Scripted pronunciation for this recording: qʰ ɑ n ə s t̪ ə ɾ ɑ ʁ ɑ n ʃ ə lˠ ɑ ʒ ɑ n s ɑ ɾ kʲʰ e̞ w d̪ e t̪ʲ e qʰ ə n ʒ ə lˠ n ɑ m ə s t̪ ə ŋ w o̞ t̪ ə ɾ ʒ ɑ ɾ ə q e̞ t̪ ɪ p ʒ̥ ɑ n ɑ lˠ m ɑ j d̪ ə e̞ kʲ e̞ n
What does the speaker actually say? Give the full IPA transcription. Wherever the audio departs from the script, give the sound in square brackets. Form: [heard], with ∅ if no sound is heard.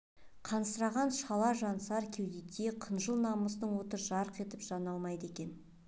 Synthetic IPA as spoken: qʰ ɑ n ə s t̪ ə ɾ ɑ ʁ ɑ n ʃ [ɑ] lˠ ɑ ʒ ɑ n s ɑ ɾ kʲʰ e̞ w d̪ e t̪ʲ e qʰ ə n ʒ ə lˠ n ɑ m ə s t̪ ə [ɴ] w o̞ t̪ ə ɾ ʒ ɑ ɾ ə q e̞ t̪ ɪ p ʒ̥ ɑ n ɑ lˠ m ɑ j d̪ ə e̞ kʲ e̞ n

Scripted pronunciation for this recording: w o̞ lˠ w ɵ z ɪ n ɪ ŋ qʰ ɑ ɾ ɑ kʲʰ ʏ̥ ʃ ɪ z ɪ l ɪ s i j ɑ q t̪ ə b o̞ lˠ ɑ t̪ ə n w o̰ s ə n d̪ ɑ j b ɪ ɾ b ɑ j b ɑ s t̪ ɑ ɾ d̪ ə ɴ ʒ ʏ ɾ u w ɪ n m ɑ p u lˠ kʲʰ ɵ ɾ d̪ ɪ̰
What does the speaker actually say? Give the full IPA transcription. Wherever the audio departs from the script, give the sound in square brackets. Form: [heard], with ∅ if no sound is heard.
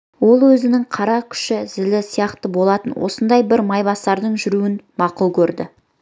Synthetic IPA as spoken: w o̞ lˠ w ɵ z ɪ n ɪ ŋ qʰ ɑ ɾ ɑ kʲʰ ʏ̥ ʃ ɪ z ɪ l ɪ s i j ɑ q t̪ ə b o̞ lˠ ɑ t̪ ə n w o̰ s ə n d̪ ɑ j b ɪ ɾ [m] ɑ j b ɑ s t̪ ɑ ɾ d̪ ə ɴ ʒ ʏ ɾ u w ɪ n m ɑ [q] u lˠ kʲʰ ɵ ɾ d̪ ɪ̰

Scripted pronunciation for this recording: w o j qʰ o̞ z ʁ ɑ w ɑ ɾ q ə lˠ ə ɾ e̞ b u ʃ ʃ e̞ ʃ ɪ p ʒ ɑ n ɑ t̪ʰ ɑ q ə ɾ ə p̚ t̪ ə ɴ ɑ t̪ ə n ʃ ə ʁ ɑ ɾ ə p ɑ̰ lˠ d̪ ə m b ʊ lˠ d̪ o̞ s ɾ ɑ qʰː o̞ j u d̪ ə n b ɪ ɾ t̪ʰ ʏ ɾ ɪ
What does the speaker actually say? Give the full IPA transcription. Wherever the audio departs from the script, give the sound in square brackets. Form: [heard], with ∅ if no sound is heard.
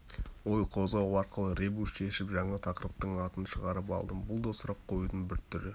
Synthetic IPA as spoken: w o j qʰ o̞ z ʁ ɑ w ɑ ɾ q ə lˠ ə ɾ e̞ b u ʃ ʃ e̞ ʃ ɪ p ʒ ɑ [ɴ] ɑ t̪ʰ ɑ q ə ɾ ə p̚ t̪ ə ɴ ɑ t̪ ə n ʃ ə ʁ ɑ ɾ ə p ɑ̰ lˠ d̪ ə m b ʊ lˠ d̪ o̞ s ɾ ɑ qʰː o̞ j u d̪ ə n b ɪ ɾ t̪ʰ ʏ ɾ ɪ

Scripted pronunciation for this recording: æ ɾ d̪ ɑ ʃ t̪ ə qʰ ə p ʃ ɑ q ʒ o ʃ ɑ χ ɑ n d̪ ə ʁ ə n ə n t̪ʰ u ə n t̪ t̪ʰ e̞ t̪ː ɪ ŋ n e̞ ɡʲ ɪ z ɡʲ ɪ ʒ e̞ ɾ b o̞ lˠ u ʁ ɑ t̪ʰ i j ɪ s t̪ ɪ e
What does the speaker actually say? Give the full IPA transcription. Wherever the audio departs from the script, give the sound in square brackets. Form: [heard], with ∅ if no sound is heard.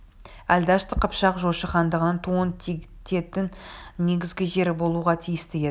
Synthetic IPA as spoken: æ [l] d̪ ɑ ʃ t̪ ə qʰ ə p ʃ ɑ q ʒ o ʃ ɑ χ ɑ n d̪ ə ʁ ə n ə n t̪ʰ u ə n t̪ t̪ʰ e̞ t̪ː ɪ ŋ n e̞ ɡʲ ɪ z ɡʲ ɪ ʒ e̞ ɾ b o̞ lˠ u ʁ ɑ t̪ʰ i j ɪ s t̪ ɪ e

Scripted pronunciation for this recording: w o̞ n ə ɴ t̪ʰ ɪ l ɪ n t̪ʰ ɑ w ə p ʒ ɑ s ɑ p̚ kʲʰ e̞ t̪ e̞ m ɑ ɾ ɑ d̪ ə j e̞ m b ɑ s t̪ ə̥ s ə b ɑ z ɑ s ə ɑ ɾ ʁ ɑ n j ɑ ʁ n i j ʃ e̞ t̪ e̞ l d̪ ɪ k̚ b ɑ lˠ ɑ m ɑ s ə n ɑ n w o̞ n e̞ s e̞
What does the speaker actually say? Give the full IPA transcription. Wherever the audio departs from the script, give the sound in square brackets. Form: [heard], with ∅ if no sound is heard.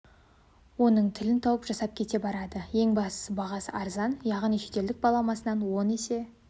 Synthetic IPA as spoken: w o̞ n ə ɴ t̪ʰ ɪ l ɪ n t̪ʰ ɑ w ə p ʒ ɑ s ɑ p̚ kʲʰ e̞ t̪ e̞ [b] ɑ ɾ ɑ d̪ ə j e̞ [ŋ] b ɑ s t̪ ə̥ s ə b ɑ [ʁ] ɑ s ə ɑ ɾ [z] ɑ n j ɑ ʁ n i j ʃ e̞ t̪ e̞ l d̪ ɪ k̚ b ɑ lˠ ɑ m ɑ s ə n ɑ n w o̞ n e̞ s e̞

